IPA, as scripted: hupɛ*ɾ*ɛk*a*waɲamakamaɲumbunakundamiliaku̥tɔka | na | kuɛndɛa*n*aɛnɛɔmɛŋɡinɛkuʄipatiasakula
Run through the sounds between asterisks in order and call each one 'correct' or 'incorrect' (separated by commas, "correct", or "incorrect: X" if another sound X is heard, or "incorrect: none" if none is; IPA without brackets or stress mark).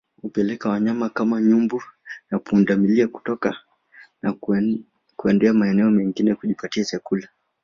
incorrect: l, correct, incorrect: m